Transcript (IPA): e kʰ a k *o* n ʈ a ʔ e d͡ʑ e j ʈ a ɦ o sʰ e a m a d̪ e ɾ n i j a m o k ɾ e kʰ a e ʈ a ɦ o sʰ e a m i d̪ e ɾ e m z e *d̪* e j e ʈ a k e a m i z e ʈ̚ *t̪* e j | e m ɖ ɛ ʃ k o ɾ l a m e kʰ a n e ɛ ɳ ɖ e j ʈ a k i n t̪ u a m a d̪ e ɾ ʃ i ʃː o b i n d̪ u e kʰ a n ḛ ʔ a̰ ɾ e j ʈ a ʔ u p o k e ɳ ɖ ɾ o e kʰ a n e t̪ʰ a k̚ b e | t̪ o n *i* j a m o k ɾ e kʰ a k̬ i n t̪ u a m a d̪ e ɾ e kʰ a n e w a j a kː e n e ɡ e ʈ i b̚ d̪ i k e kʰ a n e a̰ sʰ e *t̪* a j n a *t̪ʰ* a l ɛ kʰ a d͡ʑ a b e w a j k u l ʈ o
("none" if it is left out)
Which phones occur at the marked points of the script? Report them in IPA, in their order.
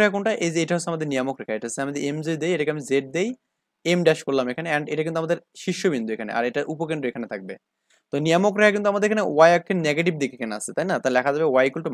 o, d̪, d̪, i, t̪, t̪

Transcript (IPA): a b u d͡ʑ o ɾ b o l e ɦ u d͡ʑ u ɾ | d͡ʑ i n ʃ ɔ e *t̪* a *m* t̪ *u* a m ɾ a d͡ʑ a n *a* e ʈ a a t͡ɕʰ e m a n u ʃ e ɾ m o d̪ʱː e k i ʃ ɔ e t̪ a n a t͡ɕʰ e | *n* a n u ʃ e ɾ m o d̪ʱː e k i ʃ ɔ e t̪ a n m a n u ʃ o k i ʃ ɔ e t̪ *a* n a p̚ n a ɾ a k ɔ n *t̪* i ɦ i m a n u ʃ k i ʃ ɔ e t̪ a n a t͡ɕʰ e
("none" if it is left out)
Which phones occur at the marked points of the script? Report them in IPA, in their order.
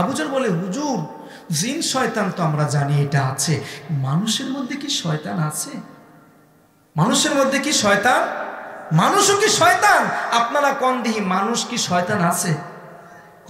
t̪, n, o, i, m, a, d̪

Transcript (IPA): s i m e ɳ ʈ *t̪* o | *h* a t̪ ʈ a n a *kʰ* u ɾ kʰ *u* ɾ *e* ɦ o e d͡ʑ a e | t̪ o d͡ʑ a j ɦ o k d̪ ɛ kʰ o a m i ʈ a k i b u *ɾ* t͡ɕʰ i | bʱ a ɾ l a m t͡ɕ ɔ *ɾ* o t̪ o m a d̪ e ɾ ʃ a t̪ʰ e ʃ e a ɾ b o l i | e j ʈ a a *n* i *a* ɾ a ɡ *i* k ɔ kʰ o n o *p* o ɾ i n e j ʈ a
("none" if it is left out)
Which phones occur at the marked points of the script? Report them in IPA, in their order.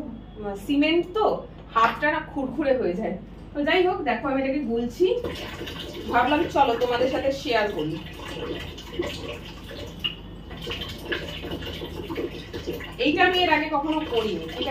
t̪, h, kʰ, u, e, l, l, m, e, e, k

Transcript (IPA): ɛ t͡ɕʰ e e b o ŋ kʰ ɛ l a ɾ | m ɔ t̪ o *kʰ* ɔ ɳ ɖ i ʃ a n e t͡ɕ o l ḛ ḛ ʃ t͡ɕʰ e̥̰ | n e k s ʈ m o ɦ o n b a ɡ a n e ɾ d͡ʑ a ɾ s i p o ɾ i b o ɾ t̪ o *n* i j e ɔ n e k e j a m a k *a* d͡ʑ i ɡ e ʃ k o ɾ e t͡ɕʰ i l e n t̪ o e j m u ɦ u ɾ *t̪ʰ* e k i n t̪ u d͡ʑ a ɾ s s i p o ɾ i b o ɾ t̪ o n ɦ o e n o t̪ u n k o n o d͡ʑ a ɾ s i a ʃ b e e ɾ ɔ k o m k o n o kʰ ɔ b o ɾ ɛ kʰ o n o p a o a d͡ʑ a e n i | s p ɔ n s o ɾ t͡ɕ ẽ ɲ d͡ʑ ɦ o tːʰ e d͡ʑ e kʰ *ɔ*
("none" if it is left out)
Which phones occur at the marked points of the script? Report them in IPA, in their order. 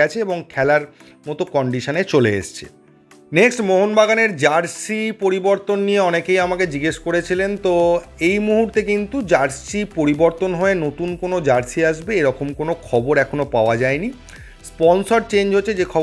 k, nː, e, t̪, ɔ

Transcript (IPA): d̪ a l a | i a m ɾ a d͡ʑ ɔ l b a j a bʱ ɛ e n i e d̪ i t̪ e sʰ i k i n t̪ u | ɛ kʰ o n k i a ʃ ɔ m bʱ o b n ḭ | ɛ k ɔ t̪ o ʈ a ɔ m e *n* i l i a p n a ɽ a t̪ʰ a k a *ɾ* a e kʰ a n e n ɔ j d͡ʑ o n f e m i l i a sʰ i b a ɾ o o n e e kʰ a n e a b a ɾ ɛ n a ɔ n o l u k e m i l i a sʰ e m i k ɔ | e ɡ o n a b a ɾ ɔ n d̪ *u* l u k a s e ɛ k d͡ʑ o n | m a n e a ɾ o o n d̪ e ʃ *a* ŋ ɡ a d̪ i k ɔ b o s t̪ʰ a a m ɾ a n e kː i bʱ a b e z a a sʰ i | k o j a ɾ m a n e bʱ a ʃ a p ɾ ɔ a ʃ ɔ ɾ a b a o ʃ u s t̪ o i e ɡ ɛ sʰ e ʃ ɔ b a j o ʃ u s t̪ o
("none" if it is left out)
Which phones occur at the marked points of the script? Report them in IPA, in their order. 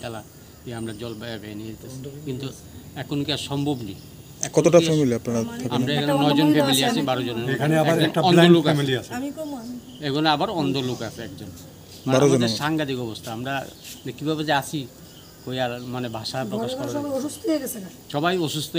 m, ɾ, o, a

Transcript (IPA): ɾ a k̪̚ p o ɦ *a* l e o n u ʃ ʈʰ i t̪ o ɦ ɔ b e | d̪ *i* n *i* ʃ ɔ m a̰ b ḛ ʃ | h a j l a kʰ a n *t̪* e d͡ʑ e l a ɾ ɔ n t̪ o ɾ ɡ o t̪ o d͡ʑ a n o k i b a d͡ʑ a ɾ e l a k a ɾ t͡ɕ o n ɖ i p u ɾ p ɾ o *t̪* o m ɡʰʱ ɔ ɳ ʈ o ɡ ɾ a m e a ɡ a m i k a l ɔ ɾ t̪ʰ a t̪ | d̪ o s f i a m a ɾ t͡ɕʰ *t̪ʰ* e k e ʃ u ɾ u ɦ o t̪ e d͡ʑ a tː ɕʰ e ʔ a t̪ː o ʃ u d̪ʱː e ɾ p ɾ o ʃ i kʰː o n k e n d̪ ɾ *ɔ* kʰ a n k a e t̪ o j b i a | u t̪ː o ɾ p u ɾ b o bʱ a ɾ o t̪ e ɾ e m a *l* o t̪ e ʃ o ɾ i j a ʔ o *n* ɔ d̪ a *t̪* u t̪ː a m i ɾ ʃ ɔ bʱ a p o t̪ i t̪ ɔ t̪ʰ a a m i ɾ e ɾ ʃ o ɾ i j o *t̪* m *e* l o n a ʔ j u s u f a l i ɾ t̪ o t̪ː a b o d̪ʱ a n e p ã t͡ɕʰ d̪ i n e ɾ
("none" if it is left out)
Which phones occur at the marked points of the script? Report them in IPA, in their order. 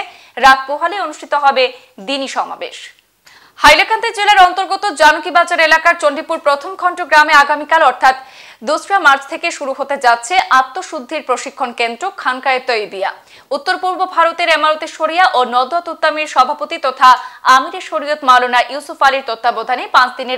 a, i, i, t̪, t̪ʰ, t̪ʰ, o, ɾ, n, t̪, t̪, a

